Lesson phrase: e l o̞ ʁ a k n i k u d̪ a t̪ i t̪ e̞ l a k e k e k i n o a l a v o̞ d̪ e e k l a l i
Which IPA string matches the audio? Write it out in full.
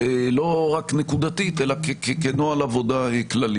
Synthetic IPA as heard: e l o̞ ʁ a k n e k u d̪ a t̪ i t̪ e̞ l a k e k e k e n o a l a v o̞ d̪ a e k l a l i